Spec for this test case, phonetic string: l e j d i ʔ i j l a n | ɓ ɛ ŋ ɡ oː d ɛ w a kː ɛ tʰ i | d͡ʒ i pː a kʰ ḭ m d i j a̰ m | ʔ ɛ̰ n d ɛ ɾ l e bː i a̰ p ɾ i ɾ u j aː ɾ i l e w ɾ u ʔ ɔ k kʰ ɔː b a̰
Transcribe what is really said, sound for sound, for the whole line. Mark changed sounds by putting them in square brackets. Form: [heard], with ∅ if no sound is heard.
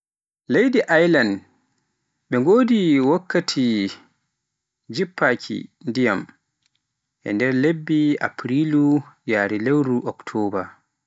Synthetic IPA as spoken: l e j d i ʔ [a] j l a n | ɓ ɛ ŋ ɡ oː d [i] w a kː [a] tʰ i | d͡ʒ i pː a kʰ ḭ [n] d i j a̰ m | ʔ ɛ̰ n d ɛ ɾ l e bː i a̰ p ɾ i [l] u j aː ɾ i l e w ɾ u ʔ ɔ k [tʰ] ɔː b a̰

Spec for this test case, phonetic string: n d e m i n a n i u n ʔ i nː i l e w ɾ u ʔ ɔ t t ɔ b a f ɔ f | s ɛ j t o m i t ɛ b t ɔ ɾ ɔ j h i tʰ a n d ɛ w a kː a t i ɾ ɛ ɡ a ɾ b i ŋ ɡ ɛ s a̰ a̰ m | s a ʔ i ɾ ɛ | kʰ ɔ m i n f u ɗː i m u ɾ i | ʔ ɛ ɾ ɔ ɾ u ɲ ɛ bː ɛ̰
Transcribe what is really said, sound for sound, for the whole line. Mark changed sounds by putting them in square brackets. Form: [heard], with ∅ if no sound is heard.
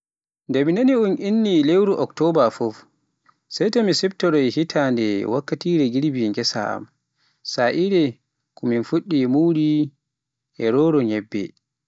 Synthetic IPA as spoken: n d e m i n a n i u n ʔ i nː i l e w ɾ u ʔ ɔ [k] t ɔ b a f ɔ f | s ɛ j t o m i [s] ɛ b t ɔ ɾ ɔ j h i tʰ a n d ɛ w a kː a t i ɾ ɛ ɡ [i] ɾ b i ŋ ɡ ɛ s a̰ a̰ m | s a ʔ i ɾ ɛ | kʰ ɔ m i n f u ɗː i m u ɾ i | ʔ ɛ ɾ ɔ ɾ [ɔ] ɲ ɛ bː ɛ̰

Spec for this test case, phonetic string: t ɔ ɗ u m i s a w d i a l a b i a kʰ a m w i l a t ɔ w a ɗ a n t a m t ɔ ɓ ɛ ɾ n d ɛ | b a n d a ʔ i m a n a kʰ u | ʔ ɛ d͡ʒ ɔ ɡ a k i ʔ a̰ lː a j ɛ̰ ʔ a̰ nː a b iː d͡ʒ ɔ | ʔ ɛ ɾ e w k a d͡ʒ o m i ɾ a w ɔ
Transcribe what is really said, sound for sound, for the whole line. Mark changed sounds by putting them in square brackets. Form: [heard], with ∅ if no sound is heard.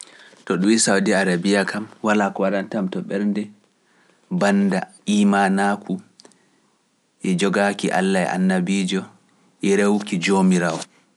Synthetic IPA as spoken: t ɔ ɗ u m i s a w d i a [ɾ] a b i a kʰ a m w [a] l a [k] ɔ w a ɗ a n t a m t ɔ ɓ ɛ ɾ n d ɛ | b a n d a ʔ i m a n a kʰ u | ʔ ɛ d͡ʒ ɔ ɡ a k i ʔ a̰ lː a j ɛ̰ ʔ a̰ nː a b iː d͡ʒ ɔ | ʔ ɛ ɾ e w k [i] d͡ʒ o m i ɾ a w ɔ

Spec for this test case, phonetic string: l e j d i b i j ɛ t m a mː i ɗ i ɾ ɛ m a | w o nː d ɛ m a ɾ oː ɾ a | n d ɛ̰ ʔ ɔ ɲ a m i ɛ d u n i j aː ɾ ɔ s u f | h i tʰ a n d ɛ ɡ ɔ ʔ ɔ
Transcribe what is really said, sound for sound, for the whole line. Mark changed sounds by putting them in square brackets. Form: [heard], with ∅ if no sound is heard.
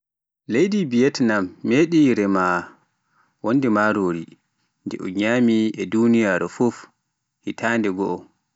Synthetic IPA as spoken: l e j d i b i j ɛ t [n] a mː [e] ɗ i ɾ ɛ m a | w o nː d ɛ m a ɾ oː ɾ [i] | n d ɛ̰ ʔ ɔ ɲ a m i ɛ d u n i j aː ɾ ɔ [f] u f | h i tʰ a n d ɛ ɡ ɔ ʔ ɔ

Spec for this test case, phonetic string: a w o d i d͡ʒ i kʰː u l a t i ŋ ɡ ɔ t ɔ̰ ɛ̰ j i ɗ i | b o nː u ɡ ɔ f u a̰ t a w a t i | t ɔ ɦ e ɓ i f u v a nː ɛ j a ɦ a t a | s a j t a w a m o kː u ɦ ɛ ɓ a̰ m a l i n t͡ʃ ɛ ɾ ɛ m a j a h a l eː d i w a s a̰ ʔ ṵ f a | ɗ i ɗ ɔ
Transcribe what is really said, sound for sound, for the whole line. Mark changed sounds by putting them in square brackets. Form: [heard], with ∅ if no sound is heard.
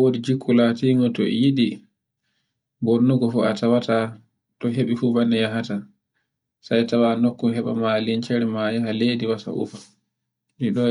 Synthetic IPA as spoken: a w o d i d͡ʒ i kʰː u l a t i ŋ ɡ ɔ t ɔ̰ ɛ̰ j i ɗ i | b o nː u ɡ ɔ f u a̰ t a w a t [a] | t ɔ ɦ e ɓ i f u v a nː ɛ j a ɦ a t a | s a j t a w a [n] o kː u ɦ ɛ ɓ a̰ m a l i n t͡ʃ ɛ ɾ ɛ m a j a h a l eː d i w a s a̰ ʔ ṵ f a | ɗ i ɗ ɔ

